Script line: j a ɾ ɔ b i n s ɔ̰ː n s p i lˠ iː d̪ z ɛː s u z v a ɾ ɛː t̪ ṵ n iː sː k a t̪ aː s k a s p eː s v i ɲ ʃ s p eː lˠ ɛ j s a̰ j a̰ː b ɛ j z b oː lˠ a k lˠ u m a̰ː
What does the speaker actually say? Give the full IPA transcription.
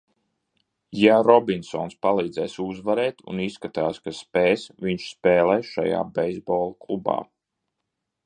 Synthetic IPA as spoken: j a ɾ ɔ b i n s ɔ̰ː n s p a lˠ iː d̪ z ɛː s u z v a ɾ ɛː t̪ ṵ n i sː k a t̪ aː s k a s p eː s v i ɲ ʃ s p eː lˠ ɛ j ʃ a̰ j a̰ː b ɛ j z b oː lˠ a k lˠ u b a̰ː